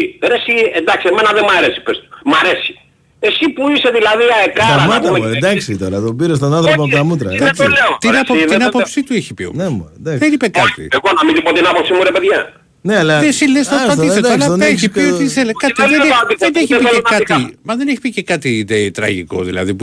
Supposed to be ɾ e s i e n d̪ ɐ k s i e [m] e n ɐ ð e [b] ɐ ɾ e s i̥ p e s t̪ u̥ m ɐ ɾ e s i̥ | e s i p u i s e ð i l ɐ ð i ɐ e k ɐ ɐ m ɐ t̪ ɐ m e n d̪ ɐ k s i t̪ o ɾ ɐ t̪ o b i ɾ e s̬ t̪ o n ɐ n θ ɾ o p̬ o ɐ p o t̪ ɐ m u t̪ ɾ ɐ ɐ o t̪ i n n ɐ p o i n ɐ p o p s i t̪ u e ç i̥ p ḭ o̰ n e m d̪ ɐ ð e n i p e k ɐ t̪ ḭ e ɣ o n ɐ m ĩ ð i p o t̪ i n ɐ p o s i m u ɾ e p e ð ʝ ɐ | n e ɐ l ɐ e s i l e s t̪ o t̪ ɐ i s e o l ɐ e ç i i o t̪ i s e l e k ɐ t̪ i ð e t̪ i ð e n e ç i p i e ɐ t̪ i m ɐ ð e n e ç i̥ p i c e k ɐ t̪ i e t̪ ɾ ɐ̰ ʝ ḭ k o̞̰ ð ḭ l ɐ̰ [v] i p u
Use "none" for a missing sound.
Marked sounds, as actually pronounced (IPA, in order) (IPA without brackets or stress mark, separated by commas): m, m, ð